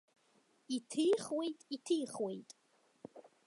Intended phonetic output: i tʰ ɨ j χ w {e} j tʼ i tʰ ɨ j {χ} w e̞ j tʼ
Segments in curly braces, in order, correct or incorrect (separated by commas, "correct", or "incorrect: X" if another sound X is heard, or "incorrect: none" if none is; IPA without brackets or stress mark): correct, correct